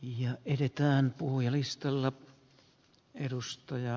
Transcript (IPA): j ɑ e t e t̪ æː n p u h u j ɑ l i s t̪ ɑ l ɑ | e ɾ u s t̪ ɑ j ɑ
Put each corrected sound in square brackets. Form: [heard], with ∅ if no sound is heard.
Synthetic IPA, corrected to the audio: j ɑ e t e t̪ æː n p u h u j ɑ l i s t̪ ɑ [lː] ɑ | e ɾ u s t̪ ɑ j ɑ